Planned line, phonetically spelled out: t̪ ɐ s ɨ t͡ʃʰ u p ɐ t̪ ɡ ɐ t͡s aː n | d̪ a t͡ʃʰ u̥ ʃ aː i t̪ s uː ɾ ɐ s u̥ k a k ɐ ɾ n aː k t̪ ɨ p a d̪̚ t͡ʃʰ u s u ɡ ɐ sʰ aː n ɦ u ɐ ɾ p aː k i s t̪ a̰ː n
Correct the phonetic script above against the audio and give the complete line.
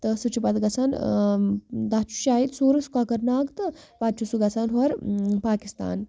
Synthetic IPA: t̪ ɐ s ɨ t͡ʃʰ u p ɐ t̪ ɡ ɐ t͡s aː n | d̪ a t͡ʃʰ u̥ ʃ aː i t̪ s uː ɾ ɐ s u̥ k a k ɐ ɾ n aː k t̪ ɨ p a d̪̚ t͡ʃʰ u s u ɡ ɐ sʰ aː n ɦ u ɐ ɾ p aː k i s t̪ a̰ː n